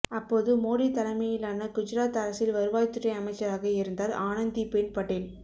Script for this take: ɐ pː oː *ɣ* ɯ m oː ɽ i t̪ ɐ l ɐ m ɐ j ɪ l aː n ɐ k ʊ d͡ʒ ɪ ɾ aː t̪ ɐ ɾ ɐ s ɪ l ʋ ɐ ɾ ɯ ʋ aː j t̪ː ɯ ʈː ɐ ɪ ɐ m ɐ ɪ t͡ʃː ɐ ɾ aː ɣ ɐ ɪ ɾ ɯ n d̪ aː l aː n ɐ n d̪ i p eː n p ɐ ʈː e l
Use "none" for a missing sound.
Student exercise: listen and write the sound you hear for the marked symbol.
ð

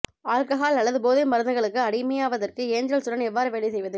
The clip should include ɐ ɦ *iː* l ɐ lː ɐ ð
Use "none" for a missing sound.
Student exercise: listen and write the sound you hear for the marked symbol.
aː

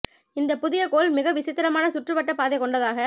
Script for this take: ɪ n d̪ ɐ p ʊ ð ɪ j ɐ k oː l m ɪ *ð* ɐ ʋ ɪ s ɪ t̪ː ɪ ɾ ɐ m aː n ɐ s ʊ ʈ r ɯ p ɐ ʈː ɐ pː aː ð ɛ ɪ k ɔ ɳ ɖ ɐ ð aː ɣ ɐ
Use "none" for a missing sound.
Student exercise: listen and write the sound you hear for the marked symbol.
ɣ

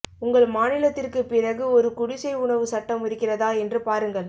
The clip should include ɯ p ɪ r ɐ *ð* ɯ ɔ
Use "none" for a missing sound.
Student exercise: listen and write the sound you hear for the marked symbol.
ɣ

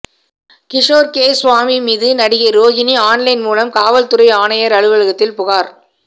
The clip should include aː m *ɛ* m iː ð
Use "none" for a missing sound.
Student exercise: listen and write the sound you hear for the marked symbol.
i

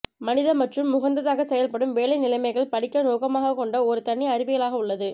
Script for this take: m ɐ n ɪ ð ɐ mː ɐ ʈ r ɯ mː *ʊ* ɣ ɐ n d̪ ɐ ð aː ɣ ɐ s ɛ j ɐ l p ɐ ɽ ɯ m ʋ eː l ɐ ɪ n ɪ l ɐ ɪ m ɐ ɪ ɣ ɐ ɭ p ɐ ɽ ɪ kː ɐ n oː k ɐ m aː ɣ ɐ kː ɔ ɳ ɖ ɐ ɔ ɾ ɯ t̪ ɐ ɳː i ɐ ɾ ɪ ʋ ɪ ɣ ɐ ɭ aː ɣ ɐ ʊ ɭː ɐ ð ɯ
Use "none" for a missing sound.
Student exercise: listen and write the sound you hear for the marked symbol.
ʊ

